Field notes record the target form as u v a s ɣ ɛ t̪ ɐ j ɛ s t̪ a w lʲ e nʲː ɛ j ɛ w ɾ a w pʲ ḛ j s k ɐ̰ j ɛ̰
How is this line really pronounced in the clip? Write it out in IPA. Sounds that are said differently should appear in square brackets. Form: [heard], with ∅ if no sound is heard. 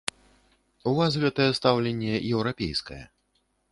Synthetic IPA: u v a s ɣ ɛ t̪ ɐ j ɛ s t̪ a w lʲ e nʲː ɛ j ɛ w ɾ a [∅] pʲ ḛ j s k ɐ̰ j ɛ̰